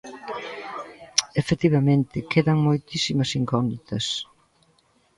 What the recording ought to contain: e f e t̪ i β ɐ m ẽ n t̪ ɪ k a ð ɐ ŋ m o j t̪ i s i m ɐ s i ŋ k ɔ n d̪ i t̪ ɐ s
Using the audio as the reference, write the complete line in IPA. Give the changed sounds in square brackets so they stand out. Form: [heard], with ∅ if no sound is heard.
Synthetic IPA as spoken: e f e t̪ i β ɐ m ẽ n t̪ ɪ k [e] ð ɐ ŋ m o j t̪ i s i m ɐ s i ŋ k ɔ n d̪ i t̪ ɐ s